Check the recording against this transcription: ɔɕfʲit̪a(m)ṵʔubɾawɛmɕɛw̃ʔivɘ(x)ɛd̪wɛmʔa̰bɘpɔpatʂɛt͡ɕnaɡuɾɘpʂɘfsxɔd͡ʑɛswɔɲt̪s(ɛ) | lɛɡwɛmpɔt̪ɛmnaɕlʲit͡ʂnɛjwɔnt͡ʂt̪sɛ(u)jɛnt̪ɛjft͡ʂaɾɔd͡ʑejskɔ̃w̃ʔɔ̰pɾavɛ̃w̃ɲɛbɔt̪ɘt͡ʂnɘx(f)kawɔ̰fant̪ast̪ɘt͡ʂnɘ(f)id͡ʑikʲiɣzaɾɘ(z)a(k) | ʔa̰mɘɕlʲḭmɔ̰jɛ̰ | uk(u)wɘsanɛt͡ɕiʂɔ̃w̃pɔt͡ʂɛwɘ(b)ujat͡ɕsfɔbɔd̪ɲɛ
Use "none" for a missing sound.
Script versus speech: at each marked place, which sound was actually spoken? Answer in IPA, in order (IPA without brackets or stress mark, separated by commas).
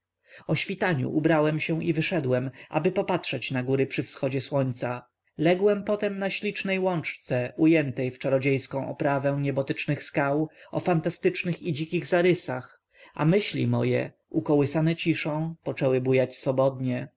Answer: ɲ, ʂ, a, u, s, x, s, x, ɔ, b